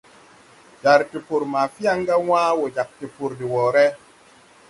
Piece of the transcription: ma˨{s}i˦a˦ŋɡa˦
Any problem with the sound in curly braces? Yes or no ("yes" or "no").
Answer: yes